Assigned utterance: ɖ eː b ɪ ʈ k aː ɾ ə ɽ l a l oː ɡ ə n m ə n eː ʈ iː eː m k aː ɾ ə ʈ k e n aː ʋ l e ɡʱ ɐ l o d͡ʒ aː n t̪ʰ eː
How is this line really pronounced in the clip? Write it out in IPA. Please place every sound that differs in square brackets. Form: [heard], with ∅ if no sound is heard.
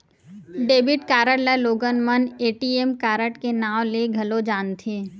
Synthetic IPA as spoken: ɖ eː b ɪ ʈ k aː ɾ ə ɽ l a l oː ɡ ə n m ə n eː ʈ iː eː m k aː ɾ ə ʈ k e n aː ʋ l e ɡʱ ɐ l o d͡ʒ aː n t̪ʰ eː